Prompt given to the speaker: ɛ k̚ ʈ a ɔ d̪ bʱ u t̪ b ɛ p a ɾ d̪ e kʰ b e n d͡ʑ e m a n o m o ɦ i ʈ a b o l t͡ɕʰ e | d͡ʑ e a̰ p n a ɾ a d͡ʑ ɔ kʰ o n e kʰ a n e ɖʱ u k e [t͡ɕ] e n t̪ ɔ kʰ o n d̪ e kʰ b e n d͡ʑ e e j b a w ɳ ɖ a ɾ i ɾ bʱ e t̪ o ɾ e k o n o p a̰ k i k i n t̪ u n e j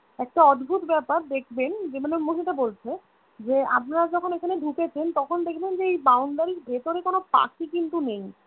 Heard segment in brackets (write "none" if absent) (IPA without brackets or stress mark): t͡ɕʰ